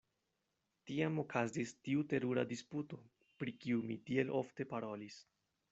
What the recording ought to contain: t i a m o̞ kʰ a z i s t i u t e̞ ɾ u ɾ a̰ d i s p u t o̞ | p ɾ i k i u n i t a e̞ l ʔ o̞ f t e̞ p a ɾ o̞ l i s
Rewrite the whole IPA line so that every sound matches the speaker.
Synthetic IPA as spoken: t i a m o̞ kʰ a z i s t i u t e̞ ɾ u ɾ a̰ d i s p u t o̞ | p ɾ i k i u m i t i e̞ l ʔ o̞ f t e̞ p a ɾ o̞ l i s